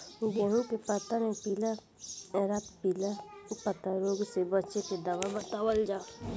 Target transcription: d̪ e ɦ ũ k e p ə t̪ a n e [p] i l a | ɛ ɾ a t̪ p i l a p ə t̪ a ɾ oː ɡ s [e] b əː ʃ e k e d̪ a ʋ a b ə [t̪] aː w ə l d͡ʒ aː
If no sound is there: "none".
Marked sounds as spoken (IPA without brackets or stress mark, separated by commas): p, e, t̪